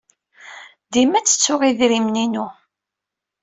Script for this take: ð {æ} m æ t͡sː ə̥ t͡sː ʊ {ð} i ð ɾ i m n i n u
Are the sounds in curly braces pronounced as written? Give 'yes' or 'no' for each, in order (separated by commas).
no, no